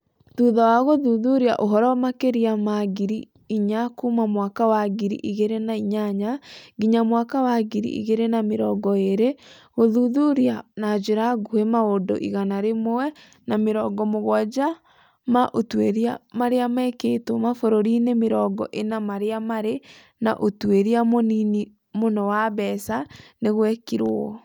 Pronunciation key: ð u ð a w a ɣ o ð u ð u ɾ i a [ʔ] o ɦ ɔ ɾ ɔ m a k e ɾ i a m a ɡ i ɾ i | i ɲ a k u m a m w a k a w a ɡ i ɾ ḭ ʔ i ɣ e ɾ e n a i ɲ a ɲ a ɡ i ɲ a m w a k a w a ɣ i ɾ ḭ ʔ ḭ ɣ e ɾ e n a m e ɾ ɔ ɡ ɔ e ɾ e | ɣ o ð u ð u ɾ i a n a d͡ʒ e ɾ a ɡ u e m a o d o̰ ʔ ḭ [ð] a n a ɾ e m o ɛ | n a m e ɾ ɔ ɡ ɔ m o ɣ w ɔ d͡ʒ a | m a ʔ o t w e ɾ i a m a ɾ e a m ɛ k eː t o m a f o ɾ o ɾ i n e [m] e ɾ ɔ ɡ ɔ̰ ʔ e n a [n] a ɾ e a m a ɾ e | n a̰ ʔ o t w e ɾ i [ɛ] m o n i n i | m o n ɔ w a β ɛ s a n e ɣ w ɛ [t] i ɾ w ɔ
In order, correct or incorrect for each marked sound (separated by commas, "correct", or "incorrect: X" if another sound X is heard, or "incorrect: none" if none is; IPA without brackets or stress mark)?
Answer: correct, incorrect: ɣ, correct, incorrect: m, incorrect: a, incorrect: k